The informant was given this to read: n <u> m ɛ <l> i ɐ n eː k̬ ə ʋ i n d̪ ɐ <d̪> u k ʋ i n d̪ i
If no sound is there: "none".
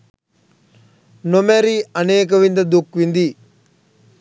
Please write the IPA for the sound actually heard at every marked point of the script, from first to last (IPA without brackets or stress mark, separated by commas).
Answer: o, ɾ, d̪